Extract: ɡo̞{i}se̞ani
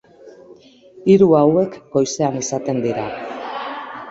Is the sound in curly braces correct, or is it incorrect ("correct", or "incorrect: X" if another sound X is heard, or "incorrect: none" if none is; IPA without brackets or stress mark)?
incorrect: j